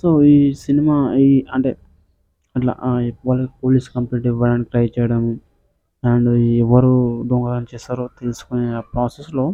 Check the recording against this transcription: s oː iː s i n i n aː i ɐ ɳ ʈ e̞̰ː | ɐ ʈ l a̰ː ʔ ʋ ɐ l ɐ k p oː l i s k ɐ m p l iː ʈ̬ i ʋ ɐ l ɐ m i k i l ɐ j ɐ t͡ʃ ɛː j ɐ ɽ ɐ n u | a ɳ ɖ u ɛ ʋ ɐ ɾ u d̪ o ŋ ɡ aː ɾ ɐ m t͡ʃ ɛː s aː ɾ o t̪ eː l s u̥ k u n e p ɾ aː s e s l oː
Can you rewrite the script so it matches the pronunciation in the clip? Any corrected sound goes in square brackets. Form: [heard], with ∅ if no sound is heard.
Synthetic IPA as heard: s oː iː s i n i [m] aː i ɐ ɳ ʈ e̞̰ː | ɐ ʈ l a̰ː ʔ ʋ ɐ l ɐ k p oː l i s k ɐ m p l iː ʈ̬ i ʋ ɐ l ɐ [n] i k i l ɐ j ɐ t͡ʃ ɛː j ɐ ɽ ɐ [m] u | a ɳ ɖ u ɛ ʋ ɐ ɾ u d̪ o ŋ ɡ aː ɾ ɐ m t͡ʃ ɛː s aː ɾ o t̪ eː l s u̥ k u n e p ɾ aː s e s l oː